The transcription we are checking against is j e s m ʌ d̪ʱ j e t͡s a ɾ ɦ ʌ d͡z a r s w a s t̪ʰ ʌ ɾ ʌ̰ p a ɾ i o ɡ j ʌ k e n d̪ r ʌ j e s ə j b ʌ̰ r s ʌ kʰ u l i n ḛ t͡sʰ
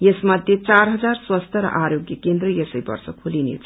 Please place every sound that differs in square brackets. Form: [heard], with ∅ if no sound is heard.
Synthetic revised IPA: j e s m ʌ d̪ʱ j e t͡s a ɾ ɦ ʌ d͡z a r s w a s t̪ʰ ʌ ɾ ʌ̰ [ʔ] a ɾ [j] o ɡ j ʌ k e n d̪ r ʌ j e s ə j b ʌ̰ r s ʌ kʰ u l i n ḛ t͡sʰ